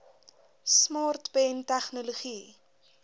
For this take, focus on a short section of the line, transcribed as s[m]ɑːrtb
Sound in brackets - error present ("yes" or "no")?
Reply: no